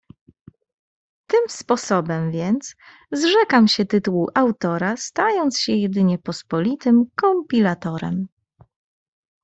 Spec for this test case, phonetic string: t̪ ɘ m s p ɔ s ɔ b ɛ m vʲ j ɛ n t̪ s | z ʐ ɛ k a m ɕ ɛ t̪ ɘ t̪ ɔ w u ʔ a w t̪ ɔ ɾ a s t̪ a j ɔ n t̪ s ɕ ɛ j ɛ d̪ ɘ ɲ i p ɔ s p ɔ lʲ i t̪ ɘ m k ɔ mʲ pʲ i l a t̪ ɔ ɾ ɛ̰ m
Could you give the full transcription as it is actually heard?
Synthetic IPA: t̪ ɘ m s p ɔ s ɔ b ɛ m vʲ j ɛ n t̪ s | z ʐ ɛ k a m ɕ ɛ t̪ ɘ t̪ u w u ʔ a w t̪ ɔ ɾ a s t̪ a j ɔ n t̪ s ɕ ɛ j ɛ d̪ ɘ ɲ ɛ p ɔ s p ɔ lʲ i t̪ ɘ m k ɔ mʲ pʲ i l a t̪ ɔ ɾ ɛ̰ m